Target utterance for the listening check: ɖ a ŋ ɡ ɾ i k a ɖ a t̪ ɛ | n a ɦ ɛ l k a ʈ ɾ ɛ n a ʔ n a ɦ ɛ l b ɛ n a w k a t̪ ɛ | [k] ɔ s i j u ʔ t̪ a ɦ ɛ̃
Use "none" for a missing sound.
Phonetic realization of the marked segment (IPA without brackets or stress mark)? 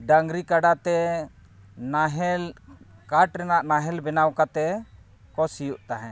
k